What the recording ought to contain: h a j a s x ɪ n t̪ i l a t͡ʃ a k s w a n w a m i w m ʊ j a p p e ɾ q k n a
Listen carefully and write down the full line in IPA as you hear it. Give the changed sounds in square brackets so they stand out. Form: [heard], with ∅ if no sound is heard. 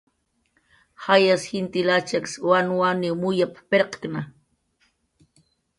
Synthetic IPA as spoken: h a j a s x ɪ n t̪ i l a t͡ʃ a k s w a n w a [n] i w m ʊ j a p p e ɾ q k n a